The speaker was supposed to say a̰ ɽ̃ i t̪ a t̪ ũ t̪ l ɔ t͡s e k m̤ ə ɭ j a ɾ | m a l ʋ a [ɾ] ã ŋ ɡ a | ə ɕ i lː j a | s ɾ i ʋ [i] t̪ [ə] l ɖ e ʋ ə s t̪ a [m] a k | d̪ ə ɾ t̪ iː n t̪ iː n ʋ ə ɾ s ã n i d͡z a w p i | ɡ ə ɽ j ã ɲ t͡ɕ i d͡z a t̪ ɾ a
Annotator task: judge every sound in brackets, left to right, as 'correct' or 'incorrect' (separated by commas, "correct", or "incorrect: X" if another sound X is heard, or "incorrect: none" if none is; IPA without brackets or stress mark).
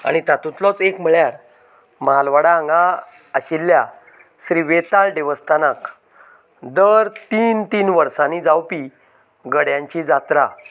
incorrect: ɽ, incorrect: e, incorrect: a, incorrect: n